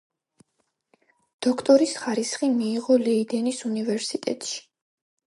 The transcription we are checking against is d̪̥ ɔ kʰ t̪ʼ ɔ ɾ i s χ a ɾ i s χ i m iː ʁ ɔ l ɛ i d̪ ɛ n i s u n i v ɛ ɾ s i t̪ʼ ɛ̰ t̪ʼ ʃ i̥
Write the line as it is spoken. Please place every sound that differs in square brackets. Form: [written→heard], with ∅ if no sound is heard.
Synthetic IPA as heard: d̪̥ ɔ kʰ t̪ʼ ɔ ɾ i s χ a ɾ i s χ i m iː ʁ ɔ l ɛ i d̪ ɛ n i s u n i v ɛ ɾ s i t̪ʼ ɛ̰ t̪ʼ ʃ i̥